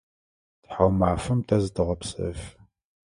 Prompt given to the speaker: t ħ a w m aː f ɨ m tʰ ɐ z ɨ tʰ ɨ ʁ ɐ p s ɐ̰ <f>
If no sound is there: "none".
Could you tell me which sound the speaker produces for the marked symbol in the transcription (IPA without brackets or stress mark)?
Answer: f